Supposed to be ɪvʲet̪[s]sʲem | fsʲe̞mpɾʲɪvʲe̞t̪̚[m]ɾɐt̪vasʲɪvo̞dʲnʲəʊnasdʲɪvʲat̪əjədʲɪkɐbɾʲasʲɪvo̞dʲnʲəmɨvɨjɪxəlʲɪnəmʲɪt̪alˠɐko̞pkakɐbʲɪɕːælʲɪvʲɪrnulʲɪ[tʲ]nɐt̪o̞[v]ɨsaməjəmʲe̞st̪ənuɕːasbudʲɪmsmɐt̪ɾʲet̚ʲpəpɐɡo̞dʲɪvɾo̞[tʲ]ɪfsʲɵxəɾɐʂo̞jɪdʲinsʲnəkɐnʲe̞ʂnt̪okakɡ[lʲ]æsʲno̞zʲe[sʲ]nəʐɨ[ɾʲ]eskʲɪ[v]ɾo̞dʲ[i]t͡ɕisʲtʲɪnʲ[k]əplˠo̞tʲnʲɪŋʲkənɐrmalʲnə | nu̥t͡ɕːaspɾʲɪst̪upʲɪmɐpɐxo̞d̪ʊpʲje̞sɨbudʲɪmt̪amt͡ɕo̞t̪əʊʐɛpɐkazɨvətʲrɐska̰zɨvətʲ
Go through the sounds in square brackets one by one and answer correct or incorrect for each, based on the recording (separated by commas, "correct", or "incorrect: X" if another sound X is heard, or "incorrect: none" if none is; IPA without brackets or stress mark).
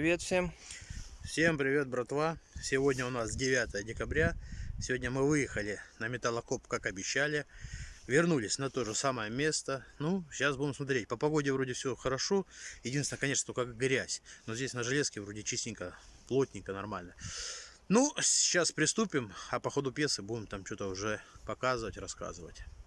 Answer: incorrect: f, incorrect: b, incorrect: sʲ, incorrect: ʐ, incorrect: dʲ, incorrect: ɾʲ, correct, incorrect: lʲ, correct, incorrect: ɪ, correct